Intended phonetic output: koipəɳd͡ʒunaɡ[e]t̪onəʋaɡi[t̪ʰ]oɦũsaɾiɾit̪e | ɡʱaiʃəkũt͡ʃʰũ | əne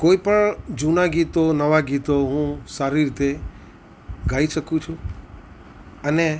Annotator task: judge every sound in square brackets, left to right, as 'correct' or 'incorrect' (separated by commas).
incorrect, incorrect